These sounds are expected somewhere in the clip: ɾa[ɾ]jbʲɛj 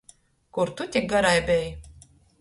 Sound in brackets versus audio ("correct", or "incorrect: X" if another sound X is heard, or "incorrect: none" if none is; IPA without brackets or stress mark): incorrect: none